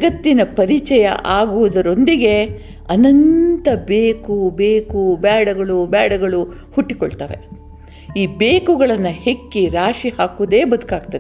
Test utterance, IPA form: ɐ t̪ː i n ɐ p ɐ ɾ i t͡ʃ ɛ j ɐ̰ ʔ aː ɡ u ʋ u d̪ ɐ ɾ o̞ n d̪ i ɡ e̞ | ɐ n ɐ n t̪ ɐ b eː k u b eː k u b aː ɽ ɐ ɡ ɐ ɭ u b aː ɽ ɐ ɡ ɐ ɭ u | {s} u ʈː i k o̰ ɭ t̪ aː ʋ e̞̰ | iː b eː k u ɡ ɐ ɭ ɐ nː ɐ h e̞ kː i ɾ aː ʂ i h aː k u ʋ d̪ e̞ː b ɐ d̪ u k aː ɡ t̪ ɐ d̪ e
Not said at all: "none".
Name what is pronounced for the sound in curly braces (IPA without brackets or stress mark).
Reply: h